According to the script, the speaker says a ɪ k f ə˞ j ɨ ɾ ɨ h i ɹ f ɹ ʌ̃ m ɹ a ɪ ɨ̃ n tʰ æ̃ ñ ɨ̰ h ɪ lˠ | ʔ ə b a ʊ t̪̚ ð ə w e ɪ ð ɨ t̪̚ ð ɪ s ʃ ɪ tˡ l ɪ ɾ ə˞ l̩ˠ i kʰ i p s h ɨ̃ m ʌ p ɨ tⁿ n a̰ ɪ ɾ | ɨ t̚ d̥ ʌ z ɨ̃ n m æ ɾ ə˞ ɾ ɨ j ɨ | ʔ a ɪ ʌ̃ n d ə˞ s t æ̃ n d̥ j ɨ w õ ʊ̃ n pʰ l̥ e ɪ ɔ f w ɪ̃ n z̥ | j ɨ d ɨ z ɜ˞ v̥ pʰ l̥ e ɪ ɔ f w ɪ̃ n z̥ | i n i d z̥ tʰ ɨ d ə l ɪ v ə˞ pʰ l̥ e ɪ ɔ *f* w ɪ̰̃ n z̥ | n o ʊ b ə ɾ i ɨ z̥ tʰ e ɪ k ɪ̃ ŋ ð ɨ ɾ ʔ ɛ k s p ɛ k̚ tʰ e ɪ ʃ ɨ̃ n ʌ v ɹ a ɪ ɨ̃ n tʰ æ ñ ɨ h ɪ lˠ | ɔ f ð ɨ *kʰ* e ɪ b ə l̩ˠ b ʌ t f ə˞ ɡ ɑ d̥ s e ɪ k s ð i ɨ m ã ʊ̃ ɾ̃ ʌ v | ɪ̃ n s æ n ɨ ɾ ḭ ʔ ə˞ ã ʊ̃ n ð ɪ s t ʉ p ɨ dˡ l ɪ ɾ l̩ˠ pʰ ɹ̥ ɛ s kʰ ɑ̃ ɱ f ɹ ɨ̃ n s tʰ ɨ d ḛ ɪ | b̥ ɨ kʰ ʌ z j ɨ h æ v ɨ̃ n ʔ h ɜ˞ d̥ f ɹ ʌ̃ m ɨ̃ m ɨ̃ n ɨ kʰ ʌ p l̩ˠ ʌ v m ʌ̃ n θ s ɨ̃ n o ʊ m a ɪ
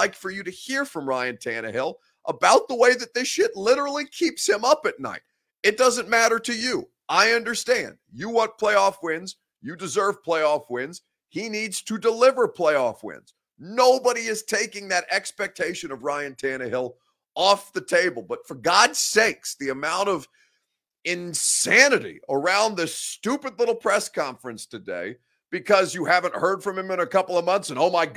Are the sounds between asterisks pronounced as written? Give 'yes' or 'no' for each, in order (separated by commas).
yes, no